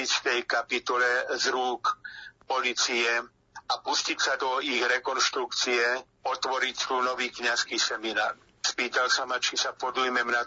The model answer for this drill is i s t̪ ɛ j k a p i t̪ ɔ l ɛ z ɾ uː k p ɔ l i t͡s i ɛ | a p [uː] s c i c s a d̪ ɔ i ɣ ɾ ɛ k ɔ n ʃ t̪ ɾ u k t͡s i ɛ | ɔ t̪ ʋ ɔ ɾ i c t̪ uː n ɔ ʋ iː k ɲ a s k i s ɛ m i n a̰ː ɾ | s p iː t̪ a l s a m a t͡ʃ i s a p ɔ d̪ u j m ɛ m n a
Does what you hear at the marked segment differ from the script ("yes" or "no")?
yes